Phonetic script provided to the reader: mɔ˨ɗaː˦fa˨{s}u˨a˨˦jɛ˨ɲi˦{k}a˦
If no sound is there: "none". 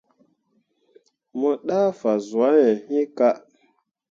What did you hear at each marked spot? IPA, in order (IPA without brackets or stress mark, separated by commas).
z, k